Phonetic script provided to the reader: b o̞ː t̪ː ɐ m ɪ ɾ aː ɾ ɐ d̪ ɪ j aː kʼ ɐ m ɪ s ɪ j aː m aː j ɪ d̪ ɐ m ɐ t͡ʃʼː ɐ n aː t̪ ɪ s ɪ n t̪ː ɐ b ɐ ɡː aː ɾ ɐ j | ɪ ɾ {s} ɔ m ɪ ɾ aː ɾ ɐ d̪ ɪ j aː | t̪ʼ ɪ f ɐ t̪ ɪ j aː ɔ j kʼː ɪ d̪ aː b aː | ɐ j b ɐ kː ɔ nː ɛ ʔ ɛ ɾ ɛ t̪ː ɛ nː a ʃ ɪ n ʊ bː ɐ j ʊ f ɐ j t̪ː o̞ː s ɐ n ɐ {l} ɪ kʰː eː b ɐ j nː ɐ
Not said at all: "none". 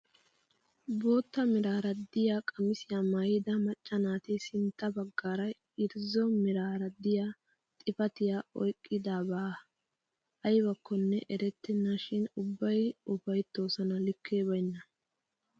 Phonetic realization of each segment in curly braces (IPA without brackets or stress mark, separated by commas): z, l